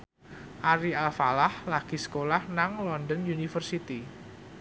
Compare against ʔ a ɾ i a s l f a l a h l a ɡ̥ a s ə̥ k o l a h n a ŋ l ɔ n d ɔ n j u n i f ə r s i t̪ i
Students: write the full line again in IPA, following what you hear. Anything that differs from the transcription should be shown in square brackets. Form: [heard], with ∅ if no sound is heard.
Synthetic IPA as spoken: ʔ a ɾ i a [∅] l f a l a h l a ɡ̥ [i] s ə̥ k o l a h n a ŋ l ɔ n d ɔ n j u n i f ə r s i t̪ i